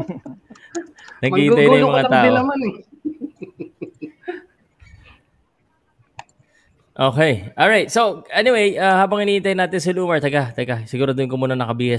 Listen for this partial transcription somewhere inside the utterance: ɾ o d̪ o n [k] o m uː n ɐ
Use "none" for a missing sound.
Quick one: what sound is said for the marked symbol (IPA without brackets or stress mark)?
k